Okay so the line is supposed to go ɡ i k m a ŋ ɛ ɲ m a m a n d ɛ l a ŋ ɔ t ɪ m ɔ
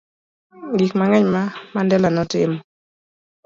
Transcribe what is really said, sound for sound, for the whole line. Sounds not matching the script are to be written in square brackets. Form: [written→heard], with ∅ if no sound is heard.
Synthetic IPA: ɡ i k m a ŋ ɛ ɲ m a m a n d ɛ l a [ŋ→n] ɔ t ɪ m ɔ